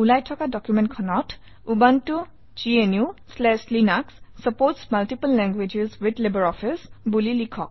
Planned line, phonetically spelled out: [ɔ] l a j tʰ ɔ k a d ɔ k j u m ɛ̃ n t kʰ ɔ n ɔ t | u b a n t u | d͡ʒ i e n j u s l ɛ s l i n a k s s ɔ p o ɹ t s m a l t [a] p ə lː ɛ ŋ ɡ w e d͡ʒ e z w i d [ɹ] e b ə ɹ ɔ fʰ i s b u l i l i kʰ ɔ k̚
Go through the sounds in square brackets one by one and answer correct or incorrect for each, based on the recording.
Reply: incorrect, incorrect, incorrect

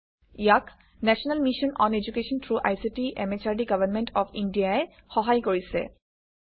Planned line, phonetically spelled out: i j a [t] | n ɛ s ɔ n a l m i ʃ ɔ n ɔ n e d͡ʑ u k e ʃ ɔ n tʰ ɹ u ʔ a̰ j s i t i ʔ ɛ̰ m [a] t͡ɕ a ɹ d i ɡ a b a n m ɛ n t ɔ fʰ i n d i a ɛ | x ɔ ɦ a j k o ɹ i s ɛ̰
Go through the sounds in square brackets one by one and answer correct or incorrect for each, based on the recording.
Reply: incorrect, incorrect

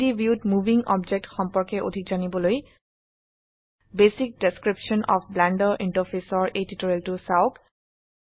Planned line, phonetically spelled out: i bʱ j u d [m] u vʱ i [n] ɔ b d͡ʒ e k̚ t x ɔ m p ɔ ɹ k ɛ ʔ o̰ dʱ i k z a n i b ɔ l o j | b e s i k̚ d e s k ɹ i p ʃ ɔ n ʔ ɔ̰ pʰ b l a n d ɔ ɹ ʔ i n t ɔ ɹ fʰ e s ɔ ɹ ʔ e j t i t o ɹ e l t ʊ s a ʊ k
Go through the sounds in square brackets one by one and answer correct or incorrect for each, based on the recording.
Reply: correct, incorrect

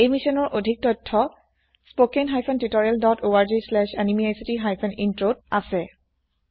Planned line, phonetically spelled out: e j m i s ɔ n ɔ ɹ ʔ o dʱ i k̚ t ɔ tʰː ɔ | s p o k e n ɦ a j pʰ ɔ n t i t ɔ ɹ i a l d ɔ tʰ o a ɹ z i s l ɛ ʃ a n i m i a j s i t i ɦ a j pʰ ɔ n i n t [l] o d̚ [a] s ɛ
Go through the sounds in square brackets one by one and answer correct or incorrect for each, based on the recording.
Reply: incorrect, correct

